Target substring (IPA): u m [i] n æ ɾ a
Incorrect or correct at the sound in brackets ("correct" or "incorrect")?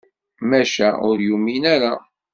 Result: correct